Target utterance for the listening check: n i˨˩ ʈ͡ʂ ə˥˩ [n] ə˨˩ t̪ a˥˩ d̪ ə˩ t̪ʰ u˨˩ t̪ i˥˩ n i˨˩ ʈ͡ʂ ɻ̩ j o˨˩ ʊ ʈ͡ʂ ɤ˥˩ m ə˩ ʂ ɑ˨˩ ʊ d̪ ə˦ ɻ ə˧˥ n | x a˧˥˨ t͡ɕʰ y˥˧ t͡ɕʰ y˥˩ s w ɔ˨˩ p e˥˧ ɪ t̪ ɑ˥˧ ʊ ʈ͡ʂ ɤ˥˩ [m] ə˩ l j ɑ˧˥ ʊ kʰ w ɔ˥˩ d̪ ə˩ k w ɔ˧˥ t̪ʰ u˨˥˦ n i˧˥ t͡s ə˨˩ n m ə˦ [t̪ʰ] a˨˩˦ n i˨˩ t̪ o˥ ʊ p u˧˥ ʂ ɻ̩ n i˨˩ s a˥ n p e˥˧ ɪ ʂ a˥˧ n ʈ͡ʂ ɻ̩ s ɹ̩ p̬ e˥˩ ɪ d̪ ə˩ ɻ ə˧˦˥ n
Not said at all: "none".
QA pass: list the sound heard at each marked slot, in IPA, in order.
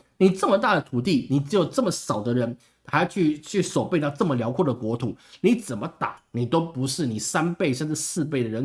m, m, t̪

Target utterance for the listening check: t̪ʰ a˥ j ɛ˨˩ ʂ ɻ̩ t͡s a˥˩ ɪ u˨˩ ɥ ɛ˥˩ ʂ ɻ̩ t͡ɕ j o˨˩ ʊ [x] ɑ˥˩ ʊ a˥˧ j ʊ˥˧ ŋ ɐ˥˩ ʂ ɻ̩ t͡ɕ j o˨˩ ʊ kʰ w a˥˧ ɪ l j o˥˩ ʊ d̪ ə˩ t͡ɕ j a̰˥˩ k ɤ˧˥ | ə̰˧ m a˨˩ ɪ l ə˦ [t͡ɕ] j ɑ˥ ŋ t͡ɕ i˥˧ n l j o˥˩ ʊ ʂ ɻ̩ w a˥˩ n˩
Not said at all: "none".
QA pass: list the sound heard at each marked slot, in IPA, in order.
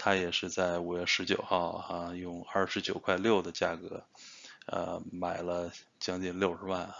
x, t͡ɕ

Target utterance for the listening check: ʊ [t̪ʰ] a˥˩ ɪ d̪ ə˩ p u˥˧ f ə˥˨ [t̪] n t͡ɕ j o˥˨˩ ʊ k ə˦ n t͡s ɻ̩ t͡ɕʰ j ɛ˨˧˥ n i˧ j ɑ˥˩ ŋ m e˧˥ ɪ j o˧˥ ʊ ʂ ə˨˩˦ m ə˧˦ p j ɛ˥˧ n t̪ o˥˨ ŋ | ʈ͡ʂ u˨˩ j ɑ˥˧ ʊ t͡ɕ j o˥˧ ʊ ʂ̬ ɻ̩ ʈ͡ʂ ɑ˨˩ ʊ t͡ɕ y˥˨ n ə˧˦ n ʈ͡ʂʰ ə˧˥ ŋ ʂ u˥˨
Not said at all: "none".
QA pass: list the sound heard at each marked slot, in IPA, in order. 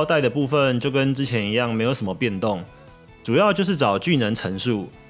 t̪, none

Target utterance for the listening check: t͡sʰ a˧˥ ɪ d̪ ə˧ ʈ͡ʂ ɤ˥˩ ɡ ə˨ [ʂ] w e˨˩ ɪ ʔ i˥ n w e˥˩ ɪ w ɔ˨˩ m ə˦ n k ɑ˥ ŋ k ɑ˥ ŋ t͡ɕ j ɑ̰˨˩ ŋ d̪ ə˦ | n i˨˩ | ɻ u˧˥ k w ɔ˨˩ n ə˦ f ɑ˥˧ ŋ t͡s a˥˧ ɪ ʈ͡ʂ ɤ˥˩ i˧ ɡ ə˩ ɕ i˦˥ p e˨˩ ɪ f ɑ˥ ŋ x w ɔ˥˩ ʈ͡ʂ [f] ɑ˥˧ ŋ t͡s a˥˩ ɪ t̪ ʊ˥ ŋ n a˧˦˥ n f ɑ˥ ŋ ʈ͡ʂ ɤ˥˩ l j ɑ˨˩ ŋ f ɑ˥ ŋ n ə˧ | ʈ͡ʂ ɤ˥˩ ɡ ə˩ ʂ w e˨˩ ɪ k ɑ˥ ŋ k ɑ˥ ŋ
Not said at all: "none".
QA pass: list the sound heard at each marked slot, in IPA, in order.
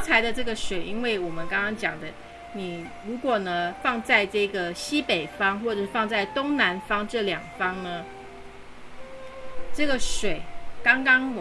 ʂ, f

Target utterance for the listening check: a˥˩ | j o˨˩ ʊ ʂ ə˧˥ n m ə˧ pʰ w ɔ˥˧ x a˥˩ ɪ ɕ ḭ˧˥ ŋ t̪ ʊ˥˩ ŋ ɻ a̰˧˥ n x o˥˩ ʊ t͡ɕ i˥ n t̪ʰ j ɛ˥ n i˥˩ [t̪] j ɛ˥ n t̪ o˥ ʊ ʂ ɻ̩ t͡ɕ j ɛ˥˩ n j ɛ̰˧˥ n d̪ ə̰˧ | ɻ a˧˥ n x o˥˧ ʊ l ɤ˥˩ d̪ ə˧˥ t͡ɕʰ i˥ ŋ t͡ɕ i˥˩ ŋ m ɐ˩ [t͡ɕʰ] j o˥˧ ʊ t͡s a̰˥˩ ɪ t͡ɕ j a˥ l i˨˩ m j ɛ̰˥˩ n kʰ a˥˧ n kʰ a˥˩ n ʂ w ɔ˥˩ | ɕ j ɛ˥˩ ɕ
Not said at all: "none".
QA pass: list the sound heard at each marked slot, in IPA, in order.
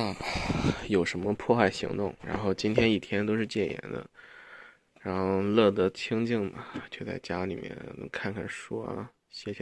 t̪ʰ, t͡ɕ

